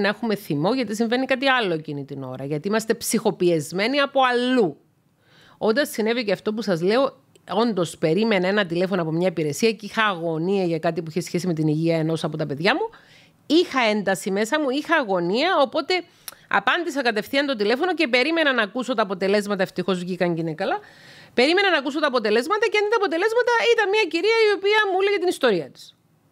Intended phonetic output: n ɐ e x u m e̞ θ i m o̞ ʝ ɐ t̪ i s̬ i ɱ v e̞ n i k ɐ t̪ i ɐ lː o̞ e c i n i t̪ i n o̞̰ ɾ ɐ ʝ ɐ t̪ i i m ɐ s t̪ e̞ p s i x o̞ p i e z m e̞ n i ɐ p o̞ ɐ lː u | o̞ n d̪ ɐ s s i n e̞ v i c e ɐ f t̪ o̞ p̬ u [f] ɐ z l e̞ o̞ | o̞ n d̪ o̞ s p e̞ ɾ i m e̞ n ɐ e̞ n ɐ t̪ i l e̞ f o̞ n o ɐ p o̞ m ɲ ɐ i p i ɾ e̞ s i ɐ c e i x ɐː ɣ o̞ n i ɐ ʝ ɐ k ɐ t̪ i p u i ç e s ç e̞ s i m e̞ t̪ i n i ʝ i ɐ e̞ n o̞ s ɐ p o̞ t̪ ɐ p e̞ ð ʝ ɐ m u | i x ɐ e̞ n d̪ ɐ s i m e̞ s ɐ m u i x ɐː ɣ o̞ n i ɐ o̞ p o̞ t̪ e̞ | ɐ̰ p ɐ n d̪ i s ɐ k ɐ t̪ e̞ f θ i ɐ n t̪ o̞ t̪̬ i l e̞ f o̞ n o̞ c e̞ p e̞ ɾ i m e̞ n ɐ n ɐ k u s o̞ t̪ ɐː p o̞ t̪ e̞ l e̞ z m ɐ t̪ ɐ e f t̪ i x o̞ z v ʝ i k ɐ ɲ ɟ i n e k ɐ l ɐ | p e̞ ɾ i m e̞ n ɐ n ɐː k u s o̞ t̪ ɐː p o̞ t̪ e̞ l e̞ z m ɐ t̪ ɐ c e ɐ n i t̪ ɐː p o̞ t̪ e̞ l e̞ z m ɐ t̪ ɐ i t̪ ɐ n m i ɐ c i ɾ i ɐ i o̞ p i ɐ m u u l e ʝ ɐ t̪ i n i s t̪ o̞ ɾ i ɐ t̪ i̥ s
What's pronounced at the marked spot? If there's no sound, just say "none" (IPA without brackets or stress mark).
s